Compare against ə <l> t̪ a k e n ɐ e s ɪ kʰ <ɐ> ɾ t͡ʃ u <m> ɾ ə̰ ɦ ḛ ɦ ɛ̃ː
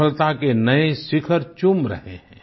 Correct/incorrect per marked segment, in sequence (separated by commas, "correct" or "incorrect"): correct, incorrect, correct